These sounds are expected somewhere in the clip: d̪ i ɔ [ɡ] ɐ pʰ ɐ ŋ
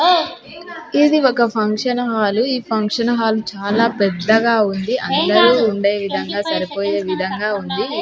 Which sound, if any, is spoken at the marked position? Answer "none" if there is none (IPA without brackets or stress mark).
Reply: k